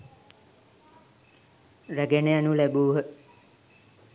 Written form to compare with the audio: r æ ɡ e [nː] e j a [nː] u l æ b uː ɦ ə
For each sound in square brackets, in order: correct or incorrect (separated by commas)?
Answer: incorrect, incorrect